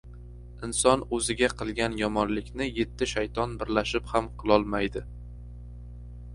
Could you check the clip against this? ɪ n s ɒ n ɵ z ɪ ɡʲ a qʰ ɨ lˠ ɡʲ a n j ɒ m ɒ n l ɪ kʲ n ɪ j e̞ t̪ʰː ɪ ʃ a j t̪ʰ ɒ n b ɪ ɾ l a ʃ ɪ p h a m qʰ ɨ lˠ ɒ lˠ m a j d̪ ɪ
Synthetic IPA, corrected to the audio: ɪ n s ɒ n ɵ z ɪ ɡʲ a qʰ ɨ lˠ ɡʲ a n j ɒ m ɒ n l ɪ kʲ n ɪ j e̞ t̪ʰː ɪ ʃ a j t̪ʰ ɒ n b ɪ ɾ l a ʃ ɪ p h a m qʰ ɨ lˠ ɒ lˠ m a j d̪ ɪ